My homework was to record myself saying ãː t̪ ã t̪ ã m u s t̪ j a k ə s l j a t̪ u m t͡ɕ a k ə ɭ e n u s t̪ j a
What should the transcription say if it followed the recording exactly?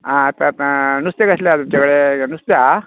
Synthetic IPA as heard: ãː t̪ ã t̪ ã n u s t̪ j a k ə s l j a t̪ u m t͡ɕ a k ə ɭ e n u s t̪ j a